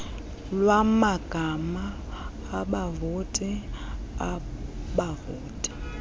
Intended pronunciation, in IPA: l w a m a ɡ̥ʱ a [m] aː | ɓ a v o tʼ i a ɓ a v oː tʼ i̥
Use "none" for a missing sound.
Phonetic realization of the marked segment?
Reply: m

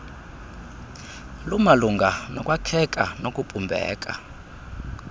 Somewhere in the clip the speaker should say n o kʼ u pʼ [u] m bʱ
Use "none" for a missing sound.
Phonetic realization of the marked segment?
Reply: u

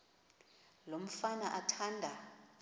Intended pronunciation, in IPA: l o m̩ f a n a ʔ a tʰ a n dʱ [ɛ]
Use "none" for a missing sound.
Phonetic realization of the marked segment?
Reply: a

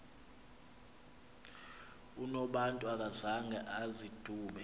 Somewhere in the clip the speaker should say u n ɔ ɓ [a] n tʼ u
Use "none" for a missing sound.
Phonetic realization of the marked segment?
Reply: a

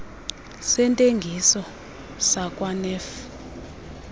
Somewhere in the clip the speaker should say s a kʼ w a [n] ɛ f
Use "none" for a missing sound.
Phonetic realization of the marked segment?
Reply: n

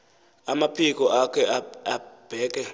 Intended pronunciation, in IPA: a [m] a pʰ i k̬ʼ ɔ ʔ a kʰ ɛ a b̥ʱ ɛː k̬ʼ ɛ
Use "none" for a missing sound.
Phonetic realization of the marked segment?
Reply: m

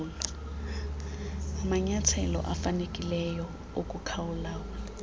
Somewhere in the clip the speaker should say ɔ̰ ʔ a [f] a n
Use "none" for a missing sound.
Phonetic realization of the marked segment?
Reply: f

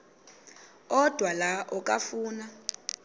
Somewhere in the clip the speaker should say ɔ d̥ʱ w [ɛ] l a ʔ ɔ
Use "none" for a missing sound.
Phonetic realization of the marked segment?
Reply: a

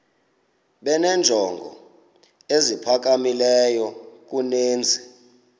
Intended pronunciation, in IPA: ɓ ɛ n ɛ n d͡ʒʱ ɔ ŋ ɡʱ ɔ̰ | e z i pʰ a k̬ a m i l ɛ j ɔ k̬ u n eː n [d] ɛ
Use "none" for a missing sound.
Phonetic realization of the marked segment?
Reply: d͡zʱ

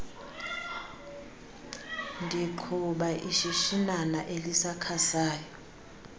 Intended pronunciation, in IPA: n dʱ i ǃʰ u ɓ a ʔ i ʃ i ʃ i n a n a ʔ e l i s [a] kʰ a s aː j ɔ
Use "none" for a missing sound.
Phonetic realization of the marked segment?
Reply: a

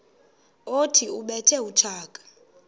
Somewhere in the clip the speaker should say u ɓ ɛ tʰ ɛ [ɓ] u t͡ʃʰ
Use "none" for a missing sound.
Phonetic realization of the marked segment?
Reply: none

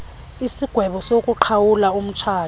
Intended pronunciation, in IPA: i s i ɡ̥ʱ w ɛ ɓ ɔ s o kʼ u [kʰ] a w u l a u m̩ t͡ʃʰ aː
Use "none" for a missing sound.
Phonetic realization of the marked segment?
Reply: ǃʰ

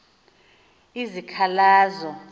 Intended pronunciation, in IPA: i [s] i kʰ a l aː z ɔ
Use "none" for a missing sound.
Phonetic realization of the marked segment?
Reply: z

